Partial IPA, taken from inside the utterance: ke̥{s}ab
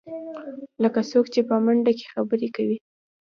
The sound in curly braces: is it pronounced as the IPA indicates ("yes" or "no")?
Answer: no